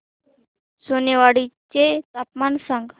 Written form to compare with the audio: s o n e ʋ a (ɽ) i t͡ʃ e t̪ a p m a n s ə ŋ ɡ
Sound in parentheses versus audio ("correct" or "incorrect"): correct